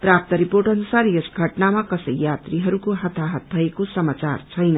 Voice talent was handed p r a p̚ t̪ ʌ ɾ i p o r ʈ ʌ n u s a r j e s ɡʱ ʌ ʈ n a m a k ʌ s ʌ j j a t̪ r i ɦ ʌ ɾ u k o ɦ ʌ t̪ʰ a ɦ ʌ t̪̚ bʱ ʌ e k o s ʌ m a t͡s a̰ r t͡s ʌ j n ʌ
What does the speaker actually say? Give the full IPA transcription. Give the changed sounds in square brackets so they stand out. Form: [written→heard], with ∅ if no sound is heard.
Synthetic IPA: p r a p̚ t̪ ʌ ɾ i p o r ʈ ʌ n u s a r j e s ɡʱ ʌ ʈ n a m a k ʌ s ʌ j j a t̪ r i ɦ ʌ ɾ u k o ɦ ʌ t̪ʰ a ɦ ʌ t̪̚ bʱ ʌ e k o s ʌ m a t͡s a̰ r [t͡s→t͡sʰ] ʌ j n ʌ